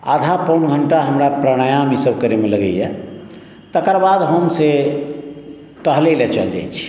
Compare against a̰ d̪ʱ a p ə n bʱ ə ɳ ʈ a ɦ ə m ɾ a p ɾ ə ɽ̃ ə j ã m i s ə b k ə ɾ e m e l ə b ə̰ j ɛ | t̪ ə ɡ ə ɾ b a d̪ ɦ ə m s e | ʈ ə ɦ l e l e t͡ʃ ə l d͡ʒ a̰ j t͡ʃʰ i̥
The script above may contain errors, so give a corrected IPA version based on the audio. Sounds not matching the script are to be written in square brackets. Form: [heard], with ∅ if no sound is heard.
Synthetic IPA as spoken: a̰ d̪ʱ a p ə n [ɡʱ] ə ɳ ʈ a ɦ ə m ɾ a p ɾ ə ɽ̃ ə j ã m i s ə b k ə ɾ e m e l ə [ɡ] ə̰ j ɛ | t̪ ə [k] ə ɾ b a d̪ ɦ ə m s e | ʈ ə ɦ l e l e t͡ʃ ə l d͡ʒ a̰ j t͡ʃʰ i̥